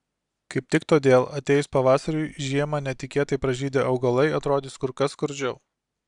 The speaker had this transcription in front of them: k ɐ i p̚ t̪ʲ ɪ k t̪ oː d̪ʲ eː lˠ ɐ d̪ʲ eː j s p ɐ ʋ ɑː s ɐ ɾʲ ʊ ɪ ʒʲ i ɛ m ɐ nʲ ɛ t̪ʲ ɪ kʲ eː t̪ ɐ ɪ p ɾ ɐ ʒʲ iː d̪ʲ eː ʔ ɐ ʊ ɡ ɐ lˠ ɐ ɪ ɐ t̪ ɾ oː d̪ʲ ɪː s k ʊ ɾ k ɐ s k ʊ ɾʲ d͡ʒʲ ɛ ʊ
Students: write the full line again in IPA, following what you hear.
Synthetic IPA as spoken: k ɐ ɪ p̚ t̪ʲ ɪ k t̪ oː d̪ʲ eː lˠ ɐ t̪ʲ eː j s p ɐ ʋ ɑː s ɐ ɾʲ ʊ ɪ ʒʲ i ɛ m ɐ nʲ ɛ t̪ʲ ɪ kʲ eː t̪ ɐ ɪ p ɾ ɐ ʒʲ iː d̪ʲ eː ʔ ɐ ʊ ɡ ɐ lˠ ɐ ɪ ɐ t̪ ɾ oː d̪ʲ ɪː s k ʊ ɾ k ɐ s k ʊ ɾʲ d͡ʒʲ ɛ ʊ